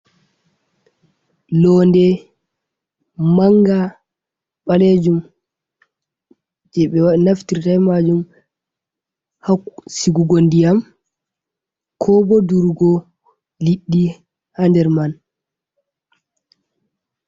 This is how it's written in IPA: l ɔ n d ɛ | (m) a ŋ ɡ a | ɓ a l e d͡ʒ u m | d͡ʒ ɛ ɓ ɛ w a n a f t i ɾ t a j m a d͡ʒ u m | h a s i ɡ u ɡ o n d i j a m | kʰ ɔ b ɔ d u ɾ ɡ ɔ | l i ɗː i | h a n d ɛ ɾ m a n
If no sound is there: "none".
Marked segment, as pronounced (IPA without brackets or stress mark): m